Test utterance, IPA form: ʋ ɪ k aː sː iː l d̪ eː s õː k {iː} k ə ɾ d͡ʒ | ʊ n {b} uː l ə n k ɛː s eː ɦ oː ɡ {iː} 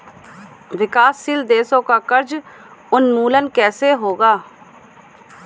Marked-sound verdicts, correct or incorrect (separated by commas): incorrect, incorrect, incorrect